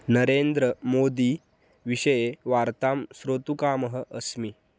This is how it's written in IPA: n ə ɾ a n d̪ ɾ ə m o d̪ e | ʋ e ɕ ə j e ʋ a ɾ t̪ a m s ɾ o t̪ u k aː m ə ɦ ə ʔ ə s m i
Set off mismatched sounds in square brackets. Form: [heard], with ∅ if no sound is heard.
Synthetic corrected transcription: n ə ɾ [e] n d̪ ɾ ə m o d̪ [i] | ʋ [i] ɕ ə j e ʋ a ɾ t̪ a m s ɾ o t̪ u k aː m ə ɦ ə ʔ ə s m i